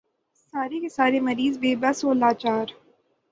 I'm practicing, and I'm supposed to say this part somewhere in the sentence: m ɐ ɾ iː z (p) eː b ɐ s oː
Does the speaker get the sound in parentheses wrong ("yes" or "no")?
yes